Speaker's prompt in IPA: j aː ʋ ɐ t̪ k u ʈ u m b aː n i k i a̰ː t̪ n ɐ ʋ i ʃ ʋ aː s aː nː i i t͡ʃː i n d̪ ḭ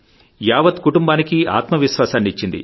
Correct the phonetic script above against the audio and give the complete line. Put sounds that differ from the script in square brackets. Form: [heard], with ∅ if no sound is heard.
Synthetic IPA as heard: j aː ʋ ɐ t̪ k u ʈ u m b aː n i k i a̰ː t̪ [m] ɐ ʋ i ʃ ʋ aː s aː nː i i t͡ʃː i n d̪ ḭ